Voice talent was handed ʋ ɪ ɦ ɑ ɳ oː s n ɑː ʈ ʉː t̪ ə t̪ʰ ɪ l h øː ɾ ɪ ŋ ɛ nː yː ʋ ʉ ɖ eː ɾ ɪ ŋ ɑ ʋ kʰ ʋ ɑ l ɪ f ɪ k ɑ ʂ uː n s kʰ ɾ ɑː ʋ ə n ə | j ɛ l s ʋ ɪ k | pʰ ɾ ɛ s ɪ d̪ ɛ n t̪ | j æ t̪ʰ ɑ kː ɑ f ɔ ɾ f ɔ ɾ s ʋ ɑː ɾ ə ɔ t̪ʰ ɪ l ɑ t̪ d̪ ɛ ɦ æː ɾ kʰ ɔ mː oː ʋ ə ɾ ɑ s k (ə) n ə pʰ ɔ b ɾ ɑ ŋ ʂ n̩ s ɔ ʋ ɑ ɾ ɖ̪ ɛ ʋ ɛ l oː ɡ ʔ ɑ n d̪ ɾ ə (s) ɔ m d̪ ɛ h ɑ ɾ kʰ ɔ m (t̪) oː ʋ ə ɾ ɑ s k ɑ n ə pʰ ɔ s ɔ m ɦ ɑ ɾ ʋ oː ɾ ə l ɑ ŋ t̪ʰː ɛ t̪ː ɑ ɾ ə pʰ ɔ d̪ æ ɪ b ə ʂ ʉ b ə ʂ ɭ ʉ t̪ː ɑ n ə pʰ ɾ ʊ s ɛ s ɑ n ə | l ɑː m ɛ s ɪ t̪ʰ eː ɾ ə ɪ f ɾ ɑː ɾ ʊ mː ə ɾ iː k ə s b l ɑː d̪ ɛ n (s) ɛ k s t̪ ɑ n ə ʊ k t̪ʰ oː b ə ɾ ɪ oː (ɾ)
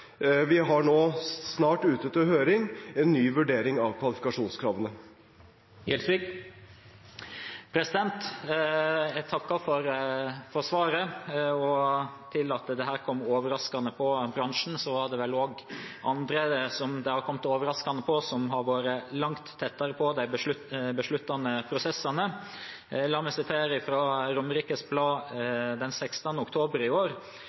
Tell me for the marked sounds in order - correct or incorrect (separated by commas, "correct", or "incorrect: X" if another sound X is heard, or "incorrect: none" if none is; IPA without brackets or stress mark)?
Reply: incorrect: ɑ, correct, correct, correct, correct